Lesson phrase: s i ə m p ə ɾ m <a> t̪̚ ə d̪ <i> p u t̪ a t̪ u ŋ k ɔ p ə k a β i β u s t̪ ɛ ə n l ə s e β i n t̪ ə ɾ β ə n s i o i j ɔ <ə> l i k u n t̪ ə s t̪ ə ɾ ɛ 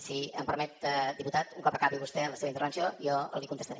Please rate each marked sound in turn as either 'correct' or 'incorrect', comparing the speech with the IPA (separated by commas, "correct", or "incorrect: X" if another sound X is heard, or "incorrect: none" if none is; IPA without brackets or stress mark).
incorrect: ɛ, correct, correct